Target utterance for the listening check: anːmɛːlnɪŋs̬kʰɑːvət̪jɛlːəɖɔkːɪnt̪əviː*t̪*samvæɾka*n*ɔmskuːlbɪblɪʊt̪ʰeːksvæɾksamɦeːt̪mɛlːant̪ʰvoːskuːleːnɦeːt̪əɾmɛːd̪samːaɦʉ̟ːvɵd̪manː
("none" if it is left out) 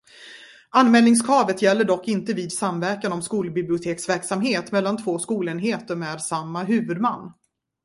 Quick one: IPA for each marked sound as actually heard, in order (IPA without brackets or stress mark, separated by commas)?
d̪, n